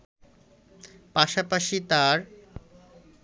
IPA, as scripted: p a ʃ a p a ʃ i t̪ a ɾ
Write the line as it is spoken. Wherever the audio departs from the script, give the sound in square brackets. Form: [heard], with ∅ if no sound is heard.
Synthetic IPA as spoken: p a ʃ a p a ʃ i t̪ a ɾ